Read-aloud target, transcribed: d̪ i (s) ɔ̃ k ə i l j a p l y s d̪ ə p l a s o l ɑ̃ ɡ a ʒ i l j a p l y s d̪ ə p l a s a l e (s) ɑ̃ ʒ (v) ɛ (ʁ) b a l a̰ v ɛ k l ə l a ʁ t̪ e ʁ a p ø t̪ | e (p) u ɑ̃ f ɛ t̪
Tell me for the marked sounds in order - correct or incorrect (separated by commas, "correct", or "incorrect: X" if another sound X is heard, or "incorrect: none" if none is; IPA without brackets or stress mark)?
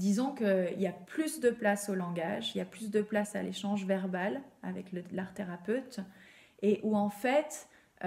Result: incorrect: z, incorrect: ʃ, correct, correct, incorrect: ʔ